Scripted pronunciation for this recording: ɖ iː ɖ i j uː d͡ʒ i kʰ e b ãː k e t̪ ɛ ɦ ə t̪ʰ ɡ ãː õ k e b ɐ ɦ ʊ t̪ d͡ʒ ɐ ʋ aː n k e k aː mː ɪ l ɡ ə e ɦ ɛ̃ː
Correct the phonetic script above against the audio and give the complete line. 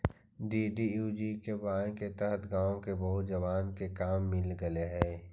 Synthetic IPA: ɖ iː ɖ i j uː d͡ʒ i k e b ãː k e t̪ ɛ ɦ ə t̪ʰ ɡ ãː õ k e b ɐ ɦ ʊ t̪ d͡ʒ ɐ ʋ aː n k e k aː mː ɪ l ɡ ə e ɦ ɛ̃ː